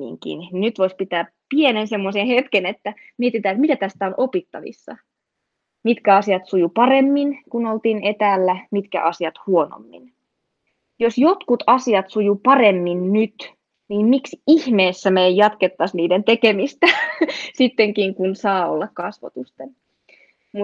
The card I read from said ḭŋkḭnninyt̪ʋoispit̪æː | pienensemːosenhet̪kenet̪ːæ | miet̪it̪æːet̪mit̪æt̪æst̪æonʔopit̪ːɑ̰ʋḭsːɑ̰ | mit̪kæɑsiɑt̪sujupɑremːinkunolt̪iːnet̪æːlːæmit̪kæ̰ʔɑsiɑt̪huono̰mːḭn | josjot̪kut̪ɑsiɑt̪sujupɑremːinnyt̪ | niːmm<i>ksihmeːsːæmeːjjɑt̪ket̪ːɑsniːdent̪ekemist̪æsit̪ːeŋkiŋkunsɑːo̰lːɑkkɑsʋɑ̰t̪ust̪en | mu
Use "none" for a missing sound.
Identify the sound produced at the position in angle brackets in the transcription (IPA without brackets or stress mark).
i